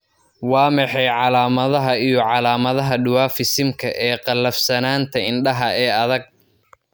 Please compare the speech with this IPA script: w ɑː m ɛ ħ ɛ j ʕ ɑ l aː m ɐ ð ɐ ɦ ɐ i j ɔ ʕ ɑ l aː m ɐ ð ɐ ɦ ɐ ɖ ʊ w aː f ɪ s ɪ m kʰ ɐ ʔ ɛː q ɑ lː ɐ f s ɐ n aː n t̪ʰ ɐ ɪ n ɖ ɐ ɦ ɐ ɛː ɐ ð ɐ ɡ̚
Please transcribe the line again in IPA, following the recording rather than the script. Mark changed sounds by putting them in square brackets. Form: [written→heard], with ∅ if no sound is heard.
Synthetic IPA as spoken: w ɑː m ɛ ħ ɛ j ʕ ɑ l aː m ɐ ð ɐ ɦ ɐ i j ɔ ʕ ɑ l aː m ɐ ð ɐ ɦ ɐ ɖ ʊ w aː f ɪ s ɪ m kʰ ɐ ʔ ɛː q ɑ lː ɐ f s ɐ n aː n t̪ʰ ɐ ɪ n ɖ ɐ ɦ ɐ ɛː ɐ ð ɐ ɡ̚